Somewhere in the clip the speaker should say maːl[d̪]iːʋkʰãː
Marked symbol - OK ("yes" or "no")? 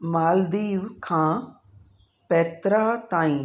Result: yes